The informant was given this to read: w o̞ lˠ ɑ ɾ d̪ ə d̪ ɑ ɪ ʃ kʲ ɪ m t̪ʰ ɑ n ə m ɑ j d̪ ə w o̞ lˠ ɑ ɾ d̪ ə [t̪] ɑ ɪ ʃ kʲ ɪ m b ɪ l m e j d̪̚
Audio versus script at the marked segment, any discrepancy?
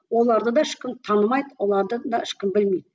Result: yes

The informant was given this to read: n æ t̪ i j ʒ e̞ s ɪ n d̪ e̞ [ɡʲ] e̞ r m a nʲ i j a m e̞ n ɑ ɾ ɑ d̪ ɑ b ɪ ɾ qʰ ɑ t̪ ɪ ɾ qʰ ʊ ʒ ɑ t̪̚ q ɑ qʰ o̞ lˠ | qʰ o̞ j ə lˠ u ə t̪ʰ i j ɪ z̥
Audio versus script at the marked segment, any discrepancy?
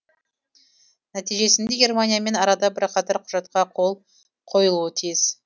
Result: no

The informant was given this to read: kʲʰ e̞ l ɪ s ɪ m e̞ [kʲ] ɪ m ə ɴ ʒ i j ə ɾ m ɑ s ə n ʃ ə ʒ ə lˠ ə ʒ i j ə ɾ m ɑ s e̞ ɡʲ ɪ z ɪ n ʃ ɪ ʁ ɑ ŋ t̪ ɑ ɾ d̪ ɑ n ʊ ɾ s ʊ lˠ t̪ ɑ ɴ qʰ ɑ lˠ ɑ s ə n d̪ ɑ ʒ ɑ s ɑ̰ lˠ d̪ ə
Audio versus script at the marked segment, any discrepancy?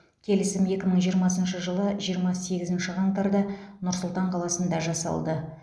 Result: no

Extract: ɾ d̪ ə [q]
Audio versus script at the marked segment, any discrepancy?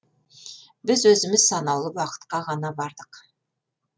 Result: no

